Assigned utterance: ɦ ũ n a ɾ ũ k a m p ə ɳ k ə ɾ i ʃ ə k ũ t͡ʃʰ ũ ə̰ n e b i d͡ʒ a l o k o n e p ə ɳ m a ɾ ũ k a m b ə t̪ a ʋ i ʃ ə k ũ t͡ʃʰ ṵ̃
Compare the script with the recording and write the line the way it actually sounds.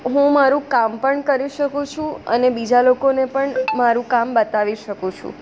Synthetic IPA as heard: ɦ ũ m a ɾ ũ k a m p ə ɳ k ə ɾ i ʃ ə k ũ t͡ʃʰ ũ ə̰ n e b i d͡ʒ a l o k o n e p ə ɳ m a ɾ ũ k a m b ə t̪ a ʋ i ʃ ə k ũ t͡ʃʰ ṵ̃